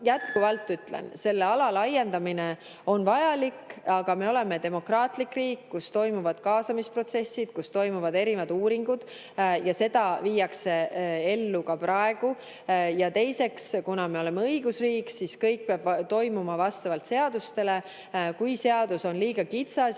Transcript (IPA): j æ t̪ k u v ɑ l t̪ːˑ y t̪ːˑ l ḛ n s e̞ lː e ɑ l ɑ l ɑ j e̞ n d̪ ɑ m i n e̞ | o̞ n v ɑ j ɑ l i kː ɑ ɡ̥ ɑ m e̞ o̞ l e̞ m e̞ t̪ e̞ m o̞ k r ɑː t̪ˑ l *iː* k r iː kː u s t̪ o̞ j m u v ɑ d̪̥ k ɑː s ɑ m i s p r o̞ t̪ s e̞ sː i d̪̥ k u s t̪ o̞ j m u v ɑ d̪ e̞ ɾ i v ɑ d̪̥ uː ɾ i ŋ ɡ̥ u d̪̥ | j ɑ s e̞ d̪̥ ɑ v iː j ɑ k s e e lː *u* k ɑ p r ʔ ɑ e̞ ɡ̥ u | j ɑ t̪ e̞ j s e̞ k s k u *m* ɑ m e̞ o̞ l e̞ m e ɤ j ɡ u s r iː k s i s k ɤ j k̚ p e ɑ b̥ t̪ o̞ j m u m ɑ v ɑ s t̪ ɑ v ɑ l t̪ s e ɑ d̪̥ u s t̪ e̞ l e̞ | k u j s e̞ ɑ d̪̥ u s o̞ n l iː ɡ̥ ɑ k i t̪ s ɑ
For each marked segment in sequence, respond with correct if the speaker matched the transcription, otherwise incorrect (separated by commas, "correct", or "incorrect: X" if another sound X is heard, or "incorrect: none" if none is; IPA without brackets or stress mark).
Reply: incorrect: i, correct, incorrect: n